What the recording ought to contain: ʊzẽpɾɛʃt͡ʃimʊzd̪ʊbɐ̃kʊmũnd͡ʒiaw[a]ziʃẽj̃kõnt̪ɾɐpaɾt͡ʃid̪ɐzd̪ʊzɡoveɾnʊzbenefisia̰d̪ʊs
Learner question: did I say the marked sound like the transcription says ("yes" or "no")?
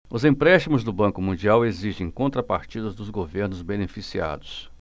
no